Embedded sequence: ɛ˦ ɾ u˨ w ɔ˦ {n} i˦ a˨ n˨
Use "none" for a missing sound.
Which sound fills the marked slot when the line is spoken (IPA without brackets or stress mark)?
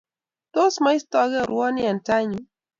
n